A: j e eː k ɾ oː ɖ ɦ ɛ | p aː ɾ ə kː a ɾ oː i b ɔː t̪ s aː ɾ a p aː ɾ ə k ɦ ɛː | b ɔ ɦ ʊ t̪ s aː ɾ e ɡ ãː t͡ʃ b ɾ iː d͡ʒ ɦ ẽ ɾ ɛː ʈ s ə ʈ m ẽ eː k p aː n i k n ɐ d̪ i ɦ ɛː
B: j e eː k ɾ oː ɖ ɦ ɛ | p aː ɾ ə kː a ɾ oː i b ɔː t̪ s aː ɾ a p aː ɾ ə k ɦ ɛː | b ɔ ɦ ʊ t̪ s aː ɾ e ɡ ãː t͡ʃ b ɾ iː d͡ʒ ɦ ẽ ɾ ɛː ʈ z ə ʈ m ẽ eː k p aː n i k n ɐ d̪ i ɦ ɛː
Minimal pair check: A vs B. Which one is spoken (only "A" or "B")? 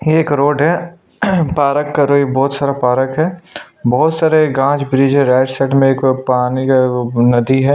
A